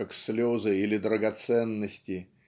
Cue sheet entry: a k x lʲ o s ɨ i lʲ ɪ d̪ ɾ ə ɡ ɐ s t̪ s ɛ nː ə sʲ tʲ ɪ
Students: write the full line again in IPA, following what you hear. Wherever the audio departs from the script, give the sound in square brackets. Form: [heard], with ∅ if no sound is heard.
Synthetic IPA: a k [s] lʲ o [z] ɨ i lʲ ɪ d̪ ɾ ə ɡ ɐ [∅] t̪ s ɛ nː ə sʲ tʲ ɪ

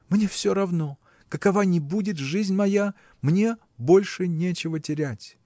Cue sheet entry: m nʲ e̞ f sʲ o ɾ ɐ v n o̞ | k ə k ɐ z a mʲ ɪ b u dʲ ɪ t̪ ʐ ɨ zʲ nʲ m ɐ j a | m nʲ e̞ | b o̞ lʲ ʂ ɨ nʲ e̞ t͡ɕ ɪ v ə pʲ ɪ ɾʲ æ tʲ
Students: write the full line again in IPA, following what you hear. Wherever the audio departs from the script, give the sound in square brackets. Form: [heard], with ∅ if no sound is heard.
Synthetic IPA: m nʲ e̞ f sʲ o ɾ ɐ v n o̞ | k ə k ɐ [v] a [nʲ] ɪ b u dʲ ɪ t̪ ʐ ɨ zʲ nʲ m ɐ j a | m nʲ e̞ | b o̞ lʲ ʂ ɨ nʲ e̞ t͡ɕ ɪ v ə [tʲ] ɪ ɾʲ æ tʲ

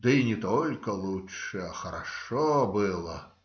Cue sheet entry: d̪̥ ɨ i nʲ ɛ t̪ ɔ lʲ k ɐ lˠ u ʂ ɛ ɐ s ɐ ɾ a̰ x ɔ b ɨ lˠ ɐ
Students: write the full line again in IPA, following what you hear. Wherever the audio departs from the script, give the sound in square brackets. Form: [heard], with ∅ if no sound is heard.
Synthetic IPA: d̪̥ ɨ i nʲ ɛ t̪ ɔ lʲ k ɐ lˠ u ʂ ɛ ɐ [x] ɐ ɾ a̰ [ʂ] ɔ b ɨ lˠ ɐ

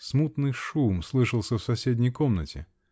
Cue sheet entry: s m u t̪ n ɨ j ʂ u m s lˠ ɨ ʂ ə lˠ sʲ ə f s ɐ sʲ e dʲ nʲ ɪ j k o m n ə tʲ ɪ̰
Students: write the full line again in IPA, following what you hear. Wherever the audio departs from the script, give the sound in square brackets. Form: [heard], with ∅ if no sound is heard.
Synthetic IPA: s m u t̪ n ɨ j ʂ u m s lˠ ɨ ʂ ə lˠ sʲ ə f s ɐ sʲ e dʲ nʲ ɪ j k o m n ə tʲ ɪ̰

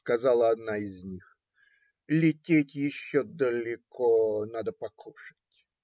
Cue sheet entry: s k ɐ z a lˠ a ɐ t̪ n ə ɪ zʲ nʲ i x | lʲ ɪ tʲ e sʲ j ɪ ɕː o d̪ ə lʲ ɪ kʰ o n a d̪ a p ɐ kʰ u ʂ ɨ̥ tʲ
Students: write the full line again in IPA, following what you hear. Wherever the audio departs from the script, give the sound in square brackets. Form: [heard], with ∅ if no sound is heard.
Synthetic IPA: s k ɐ z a lˠ [ə] ɐ [d̪] n [a] ɪ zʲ nʲ i x | lʲ ɪ tʲ e [tʲ] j ɪ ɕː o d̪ ə lʲ ɪ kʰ o n a d̪ [ə] p ɐ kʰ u ʂ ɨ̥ tʲ

